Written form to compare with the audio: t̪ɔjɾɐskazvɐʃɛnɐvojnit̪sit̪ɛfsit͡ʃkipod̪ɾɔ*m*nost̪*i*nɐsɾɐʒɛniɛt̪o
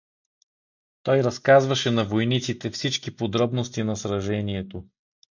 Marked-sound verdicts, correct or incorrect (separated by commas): incorrect, correct